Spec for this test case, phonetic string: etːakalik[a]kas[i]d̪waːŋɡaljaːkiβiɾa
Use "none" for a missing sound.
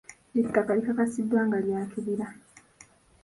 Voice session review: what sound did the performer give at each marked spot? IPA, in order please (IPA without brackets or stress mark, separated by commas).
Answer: a, i